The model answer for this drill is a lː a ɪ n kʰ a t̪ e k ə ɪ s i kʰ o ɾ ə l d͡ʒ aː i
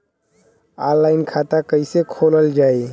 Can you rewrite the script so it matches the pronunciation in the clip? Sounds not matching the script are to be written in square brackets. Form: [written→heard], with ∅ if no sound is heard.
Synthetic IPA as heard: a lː a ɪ n kʰ a t̪ [e→a] k ə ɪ s [i→e] kʰ o [ɾ→l] ə l d͡ʒ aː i